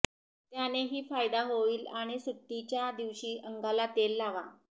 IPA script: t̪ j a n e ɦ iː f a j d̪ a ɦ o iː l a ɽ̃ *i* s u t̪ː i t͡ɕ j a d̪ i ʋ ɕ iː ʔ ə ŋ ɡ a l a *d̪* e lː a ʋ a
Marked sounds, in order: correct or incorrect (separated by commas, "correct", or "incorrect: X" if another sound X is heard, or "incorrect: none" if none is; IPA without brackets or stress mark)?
correct, incorrect: t̪